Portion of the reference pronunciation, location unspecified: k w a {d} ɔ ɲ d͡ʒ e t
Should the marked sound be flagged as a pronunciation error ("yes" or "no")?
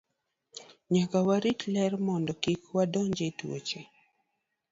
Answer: no